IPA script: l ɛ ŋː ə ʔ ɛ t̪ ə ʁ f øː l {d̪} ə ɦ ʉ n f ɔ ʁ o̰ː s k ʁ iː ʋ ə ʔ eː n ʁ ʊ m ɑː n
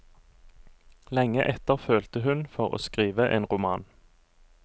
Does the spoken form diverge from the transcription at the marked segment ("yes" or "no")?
yes